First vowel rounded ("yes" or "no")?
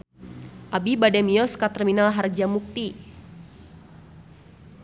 no